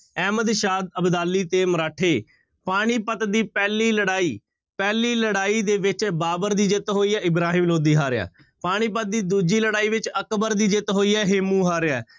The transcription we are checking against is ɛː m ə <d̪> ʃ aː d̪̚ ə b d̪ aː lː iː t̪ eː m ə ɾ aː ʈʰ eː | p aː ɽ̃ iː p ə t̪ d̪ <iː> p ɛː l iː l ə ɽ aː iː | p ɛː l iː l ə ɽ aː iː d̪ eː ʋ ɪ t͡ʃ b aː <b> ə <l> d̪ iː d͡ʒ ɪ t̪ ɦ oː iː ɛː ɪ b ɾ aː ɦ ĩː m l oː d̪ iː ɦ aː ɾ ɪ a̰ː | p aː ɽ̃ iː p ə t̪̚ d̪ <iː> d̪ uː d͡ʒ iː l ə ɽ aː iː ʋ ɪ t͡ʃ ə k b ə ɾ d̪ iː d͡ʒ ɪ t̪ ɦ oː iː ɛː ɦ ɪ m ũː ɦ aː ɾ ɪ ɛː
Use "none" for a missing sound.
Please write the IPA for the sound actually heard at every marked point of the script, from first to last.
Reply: d̪, iː, b, ɾ, iː

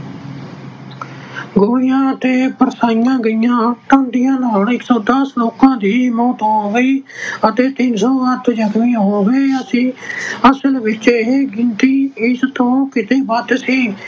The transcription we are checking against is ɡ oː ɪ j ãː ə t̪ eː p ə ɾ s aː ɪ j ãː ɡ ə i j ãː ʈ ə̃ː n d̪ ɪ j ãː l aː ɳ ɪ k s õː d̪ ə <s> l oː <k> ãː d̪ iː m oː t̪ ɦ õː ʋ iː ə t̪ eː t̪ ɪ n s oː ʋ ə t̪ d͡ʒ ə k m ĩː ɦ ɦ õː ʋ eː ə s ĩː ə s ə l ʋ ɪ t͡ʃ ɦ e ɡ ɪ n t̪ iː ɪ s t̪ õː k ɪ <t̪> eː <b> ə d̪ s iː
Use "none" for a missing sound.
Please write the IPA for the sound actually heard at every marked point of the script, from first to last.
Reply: s, k, t̪, b

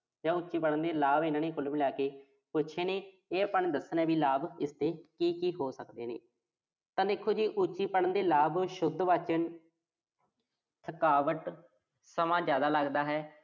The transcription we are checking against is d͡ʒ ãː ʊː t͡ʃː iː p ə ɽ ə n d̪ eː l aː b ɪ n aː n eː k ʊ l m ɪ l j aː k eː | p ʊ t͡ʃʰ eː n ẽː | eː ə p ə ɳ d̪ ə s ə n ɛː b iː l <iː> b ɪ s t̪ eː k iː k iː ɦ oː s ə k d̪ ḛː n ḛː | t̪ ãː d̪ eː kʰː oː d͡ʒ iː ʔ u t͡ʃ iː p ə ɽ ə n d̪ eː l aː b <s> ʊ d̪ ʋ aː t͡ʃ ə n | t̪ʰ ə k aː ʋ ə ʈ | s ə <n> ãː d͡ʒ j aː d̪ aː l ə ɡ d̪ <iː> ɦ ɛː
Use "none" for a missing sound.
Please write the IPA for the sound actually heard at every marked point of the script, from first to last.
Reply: aː, ʃ, m, aː

